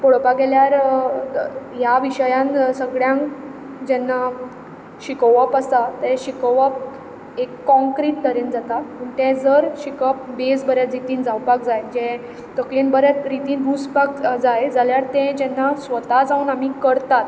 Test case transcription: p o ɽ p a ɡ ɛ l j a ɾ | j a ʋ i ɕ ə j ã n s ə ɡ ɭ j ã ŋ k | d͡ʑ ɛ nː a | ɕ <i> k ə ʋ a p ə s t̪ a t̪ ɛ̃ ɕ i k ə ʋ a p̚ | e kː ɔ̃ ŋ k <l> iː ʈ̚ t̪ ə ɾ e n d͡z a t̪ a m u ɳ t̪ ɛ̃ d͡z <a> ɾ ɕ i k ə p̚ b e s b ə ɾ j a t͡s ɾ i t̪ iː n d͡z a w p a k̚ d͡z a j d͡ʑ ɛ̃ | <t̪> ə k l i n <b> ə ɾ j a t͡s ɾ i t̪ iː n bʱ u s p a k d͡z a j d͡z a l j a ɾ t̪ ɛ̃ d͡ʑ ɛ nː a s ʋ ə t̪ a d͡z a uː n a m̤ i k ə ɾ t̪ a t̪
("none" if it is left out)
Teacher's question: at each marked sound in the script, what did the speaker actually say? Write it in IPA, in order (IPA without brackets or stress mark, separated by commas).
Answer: i, ɾ, ə, t̪, b